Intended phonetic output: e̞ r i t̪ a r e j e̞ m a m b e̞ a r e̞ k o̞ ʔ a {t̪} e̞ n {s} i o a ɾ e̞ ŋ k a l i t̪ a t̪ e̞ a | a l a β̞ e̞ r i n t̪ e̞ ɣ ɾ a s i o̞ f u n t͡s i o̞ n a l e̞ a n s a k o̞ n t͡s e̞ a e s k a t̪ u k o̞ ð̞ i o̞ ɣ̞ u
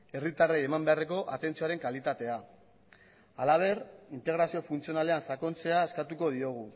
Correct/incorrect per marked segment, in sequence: correct, incorrect: t͡s

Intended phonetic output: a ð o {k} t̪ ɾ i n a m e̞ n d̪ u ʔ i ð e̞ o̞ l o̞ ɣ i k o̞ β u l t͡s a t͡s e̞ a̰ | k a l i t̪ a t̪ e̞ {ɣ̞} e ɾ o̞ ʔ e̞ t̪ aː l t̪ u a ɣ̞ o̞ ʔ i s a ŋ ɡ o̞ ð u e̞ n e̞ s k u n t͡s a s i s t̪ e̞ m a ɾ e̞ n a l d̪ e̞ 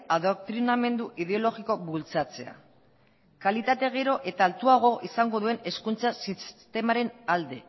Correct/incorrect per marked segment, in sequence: correct, correct

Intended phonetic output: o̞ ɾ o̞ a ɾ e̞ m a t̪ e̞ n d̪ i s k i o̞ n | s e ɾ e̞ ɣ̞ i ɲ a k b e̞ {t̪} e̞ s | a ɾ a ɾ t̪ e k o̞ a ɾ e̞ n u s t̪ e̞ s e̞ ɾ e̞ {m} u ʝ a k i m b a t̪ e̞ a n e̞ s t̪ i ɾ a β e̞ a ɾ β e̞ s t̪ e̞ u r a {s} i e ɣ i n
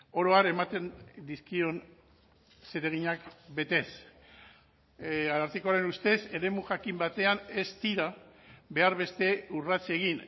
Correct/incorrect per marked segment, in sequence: correct, correct, incorrect: t͡s

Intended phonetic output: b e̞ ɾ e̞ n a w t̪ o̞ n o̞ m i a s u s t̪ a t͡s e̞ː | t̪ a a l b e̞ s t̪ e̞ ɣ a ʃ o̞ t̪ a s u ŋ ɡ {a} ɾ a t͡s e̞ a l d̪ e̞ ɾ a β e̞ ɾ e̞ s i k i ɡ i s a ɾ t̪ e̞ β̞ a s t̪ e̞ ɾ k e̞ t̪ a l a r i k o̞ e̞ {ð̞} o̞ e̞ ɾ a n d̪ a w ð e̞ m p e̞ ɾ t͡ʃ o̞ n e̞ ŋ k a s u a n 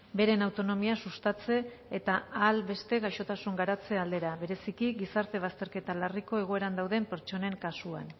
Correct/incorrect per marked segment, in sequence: correct, incorrect: ɣ̞

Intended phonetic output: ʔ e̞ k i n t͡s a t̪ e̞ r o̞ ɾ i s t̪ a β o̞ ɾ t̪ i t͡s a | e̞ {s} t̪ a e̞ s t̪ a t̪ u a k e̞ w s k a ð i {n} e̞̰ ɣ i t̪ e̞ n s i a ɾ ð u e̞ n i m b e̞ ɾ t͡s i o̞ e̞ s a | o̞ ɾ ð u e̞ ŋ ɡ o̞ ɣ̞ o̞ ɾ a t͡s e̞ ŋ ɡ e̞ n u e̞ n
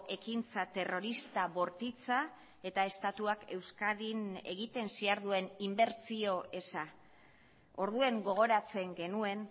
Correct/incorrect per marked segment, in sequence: incorrect: none, correct

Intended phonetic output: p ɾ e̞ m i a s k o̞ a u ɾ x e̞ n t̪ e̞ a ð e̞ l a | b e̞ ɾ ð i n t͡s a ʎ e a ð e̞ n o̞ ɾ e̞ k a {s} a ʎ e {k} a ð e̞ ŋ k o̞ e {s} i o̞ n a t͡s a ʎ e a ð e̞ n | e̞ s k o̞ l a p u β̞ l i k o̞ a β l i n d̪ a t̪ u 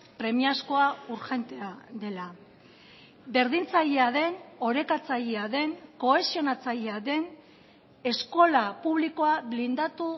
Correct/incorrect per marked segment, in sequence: incorrect: t͡s, incorrect: none, correct

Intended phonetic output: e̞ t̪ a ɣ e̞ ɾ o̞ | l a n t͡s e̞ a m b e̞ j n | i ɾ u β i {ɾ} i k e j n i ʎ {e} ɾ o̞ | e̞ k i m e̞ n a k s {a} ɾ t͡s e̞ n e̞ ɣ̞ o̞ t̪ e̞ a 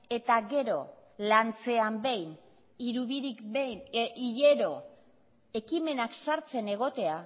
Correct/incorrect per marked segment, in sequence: correct, correct, correct

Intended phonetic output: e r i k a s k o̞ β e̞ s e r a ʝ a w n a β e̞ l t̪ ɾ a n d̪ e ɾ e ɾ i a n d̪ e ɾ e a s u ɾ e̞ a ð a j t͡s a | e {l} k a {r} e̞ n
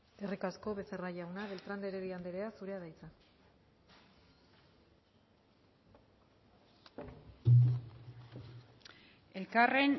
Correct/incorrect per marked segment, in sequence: correct, correct

